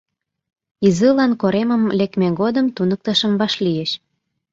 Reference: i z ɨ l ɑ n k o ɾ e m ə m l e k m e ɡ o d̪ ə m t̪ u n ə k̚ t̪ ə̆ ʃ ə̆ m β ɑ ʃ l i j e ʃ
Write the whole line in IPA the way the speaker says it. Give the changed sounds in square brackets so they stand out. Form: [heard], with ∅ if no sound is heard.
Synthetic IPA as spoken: i z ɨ l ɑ n k o ɾ e m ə m l e k m e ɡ o d̪ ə m t̪ u n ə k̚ t̪ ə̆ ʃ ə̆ m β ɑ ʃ l i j e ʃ